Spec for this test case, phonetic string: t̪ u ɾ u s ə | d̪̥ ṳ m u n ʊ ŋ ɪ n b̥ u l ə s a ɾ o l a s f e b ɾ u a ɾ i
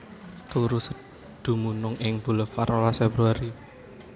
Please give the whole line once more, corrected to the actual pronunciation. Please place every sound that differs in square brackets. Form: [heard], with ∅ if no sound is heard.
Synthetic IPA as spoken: t̪ u ɾ u s ə | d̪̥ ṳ m u n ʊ ŋ ɪ [ŋ] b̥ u l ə [f] a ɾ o l a s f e b ɾ u a ɾ i